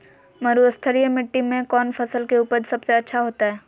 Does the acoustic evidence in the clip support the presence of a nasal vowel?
yes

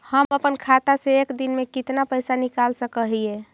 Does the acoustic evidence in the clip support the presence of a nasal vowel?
no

